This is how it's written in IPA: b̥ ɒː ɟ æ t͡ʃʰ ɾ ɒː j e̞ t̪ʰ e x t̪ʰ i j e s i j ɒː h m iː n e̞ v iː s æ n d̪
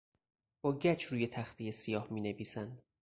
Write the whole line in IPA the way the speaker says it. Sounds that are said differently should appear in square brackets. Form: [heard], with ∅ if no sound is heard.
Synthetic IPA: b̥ ɒː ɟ æ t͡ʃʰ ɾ [uː] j e̞ t̪ʰ [æ] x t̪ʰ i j e s i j ɒː h m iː n e̞ v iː s æ n d̪